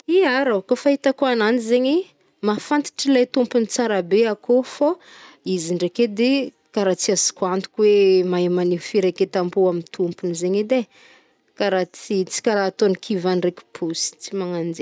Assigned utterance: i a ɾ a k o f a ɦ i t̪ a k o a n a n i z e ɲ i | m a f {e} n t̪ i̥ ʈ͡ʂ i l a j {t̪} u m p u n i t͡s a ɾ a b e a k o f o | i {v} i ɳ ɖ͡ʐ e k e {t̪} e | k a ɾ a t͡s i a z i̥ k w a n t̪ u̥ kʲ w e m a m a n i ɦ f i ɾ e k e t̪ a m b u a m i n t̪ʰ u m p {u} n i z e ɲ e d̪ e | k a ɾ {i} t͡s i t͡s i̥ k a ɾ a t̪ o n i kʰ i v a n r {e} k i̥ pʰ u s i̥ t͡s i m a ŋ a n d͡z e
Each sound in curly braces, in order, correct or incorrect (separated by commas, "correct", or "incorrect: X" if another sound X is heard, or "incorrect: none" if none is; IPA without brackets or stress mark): incorrect: a, correct, incorrect: z, incorrect: d̪, correct, incorrect: a, correct